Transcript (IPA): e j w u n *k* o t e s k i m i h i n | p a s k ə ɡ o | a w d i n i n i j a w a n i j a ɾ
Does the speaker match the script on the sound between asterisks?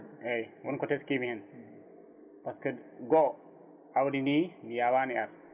yes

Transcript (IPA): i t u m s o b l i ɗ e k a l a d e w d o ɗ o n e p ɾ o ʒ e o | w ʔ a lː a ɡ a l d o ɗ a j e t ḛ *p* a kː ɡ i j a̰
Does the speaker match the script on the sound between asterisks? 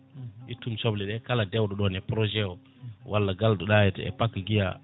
yes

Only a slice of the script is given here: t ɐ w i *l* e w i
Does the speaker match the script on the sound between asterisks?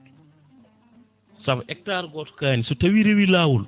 no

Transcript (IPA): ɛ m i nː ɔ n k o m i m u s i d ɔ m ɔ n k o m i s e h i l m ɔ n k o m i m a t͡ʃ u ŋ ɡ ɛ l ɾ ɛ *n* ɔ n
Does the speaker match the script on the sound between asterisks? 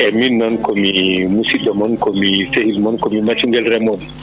no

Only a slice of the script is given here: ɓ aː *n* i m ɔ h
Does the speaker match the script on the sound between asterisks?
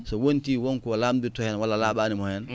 yes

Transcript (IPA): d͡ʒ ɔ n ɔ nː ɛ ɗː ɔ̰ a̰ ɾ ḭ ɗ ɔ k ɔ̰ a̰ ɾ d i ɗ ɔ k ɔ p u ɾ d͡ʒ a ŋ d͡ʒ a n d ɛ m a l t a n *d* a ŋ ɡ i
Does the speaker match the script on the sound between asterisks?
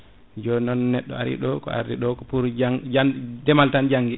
no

